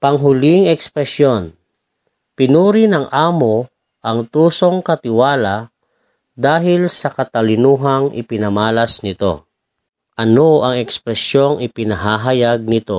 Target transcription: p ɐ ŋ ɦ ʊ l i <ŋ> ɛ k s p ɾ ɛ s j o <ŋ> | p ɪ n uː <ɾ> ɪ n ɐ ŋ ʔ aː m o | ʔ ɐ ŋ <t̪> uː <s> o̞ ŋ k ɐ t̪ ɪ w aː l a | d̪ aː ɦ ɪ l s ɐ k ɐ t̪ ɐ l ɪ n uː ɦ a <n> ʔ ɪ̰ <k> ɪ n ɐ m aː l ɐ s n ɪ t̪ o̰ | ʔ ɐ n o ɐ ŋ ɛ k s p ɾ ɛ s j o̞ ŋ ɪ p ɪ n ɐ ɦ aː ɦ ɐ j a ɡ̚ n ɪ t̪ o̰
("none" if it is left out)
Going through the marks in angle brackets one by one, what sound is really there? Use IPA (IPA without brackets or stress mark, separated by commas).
ŋ, n, ɾ, t̪, s, ŋ, p